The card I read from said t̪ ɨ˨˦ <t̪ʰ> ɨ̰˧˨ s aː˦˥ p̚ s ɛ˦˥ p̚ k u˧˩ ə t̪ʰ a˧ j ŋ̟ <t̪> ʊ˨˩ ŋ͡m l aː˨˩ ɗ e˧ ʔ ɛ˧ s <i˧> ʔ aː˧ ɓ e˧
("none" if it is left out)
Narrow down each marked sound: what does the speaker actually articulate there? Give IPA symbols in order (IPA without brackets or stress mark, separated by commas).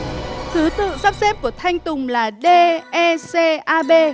t̪, t̪, e˧